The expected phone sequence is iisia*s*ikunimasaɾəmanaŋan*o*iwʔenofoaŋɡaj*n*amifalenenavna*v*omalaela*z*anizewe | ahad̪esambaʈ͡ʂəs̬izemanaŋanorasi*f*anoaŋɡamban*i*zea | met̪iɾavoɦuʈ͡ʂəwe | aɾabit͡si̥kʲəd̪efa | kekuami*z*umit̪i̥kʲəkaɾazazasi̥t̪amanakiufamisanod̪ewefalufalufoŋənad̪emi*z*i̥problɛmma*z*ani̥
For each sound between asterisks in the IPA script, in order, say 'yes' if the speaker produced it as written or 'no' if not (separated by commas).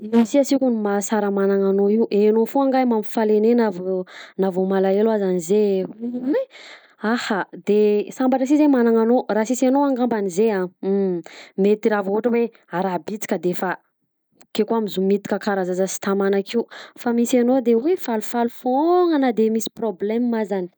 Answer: yes, yes, no, yes, yes, no, yes, yes, no, yes